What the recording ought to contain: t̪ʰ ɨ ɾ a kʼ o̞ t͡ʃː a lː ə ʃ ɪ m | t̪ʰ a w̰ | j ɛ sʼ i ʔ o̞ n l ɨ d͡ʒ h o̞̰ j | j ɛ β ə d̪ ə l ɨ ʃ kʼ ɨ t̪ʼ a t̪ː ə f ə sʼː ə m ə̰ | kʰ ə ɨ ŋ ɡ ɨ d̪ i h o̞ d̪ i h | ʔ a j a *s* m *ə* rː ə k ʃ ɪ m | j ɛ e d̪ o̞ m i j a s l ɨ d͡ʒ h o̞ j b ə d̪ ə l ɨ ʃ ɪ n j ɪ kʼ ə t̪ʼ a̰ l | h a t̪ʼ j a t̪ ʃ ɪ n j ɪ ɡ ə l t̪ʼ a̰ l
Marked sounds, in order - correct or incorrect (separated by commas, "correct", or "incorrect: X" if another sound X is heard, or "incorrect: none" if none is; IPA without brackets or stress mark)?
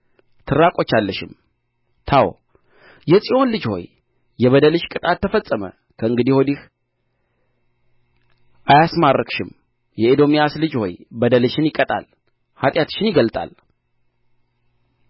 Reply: correct, incorrect: a